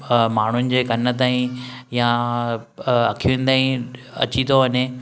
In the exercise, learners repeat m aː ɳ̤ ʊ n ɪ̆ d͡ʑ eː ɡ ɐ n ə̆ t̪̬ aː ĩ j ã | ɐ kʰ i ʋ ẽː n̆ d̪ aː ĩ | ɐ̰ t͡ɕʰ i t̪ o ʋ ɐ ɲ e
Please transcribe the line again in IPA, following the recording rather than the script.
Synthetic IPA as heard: m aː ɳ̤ ʊ n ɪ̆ d͡ʑ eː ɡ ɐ n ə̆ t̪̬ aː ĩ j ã | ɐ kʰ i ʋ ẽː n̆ d̪ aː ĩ | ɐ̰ t͡ɕ i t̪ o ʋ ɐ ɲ e

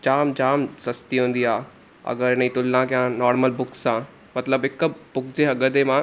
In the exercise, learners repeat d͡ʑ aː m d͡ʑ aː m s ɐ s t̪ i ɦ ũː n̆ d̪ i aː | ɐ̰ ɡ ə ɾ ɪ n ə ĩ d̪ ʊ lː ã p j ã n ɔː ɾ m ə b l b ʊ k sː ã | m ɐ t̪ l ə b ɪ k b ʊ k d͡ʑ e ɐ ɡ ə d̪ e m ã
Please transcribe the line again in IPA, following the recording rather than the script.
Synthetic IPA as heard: d͡ʑ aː m d͡ʑ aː m s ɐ s t̪ i ɦ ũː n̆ d̪ i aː | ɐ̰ ɡ ə ɾ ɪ n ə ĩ t̪ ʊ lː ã k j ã n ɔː ɾ m ə l b ʊ k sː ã | m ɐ t̪ l ə b ɪ k b ʊ k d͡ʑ e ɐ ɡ ə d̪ e m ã

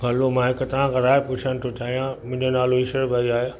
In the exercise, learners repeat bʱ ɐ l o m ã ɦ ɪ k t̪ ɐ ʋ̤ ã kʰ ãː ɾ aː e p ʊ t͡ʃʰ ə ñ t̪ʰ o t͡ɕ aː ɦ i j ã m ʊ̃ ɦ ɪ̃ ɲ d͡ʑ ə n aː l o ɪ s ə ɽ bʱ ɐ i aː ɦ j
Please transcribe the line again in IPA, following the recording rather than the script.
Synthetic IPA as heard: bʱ ɐ l o m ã ɦ ɪ k t̪ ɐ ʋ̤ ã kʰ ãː ɾ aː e p ʊ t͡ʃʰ ə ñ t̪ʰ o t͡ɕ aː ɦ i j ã m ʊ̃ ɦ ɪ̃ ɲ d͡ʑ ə n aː l o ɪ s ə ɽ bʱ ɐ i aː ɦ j

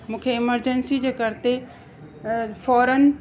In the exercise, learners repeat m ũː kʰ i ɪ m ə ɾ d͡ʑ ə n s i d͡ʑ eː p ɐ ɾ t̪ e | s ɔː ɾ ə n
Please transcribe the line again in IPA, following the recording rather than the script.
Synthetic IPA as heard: m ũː kʰ e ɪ m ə ɾ d͡ʑ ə n s i d͡ʑ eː k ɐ ɾ t̪ e | f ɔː ɾ ə n

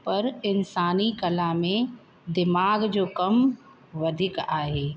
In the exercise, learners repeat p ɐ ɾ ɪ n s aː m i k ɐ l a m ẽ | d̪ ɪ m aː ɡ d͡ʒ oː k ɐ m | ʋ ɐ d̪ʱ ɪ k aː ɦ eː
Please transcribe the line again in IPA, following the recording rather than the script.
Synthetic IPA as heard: p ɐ ɾ ɪ n s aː n i k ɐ l a m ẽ | d̪ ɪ m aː ɡ d͡ʒ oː k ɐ m | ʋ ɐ d̪ʱ ɪ k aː ɦ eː

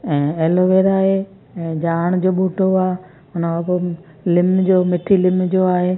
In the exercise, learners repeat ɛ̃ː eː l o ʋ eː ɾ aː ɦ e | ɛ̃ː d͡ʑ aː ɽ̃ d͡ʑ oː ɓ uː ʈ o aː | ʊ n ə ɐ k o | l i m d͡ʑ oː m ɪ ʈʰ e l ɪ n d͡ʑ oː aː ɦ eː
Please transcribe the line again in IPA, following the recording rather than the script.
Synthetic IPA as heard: ɛ̃ː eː l o ʋ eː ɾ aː ɦ e | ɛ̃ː d͡ʑ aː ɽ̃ d͡ʑ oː ɓ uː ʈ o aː | ʊ n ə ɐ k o | l ɪ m d͡ʑ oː m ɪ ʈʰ i l ɪ m d͡ʑ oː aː ɦ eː

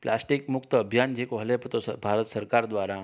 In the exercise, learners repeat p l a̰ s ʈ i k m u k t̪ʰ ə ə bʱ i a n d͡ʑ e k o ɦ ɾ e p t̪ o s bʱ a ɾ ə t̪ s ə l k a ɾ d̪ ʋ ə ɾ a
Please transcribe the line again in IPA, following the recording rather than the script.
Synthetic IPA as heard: p l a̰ s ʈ i k m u k t̪ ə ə bʱ j a n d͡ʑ e k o ɦ l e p t̪ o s bʱ a ɾ ə t̪ s ə ɾ k a ɾ d̪ ʋ a ɾ a

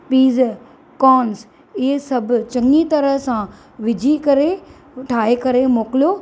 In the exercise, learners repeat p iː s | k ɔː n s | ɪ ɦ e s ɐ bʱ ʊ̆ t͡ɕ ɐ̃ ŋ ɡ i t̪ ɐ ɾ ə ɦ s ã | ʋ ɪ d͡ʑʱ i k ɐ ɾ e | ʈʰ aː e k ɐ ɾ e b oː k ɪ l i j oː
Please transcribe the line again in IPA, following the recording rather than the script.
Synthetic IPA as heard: p iː z | k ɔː n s | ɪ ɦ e s ɐ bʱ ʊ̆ t͡ɕ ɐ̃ ŋ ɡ i t̪ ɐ ɾ ə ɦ s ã | ʋ ɪ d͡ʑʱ i k ɐ ɾ e | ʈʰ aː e k ɐ ɾ e m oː k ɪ l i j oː

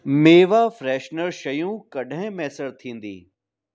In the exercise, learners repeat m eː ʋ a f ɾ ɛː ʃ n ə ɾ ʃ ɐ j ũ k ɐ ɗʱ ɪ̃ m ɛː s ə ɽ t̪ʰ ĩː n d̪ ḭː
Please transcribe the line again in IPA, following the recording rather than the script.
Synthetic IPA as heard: m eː ʋ a f ɾ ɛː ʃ n ə ɾ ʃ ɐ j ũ k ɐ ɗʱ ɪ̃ m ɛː s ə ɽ t̪ʰ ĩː n d̪ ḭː

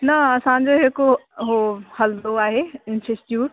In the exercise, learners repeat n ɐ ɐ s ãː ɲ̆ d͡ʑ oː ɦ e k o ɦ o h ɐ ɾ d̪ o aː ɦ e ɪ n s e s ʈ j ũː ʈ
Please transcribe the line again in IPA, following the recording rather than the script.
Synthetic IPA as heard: n ɐ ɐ s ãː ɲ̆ d͡ʑ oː ɦ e k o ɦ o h ɐ l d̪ o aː ɦ e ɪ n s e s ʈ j uː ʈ

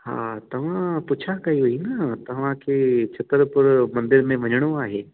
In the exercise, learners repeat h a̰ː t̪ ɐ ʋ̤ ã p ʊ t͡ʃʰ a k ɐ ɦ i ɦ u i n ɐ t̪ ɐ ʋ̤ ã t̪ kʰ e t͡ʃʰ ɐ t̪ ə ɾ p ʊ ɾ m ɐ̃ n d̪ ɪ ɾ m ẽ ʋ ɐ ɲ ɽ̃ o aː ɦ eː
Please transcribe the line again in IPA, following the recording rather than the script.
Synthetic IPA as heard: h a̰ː t̪ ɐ ʋ̤ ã p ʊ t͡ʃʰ a k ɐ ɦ i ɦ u i n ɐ t̪ ɐ ʋ̤ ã kʰ e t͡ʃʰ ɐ t̪ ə ɾ p ʊ ɾ m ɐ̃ n d̪ ɪ ɾ m ẽ ʋ ɐ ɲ ɽ̃ o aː ɦ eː

